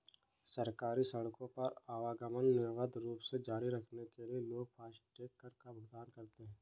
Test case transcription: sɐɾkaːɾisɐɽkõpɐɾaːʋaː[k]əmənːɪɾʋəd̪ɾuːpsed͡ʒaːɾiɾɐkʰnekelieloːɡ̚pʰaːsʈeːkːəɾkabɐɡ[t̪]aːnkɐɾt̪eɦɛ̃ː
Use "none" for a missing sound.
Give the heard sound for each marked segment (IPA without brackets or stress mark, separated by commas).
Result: ɡ, d̪